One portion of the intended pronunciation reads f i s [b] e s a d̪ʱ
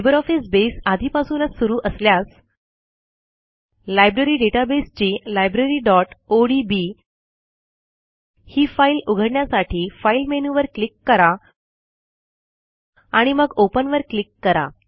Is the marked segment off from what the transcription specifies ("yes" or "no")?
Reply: no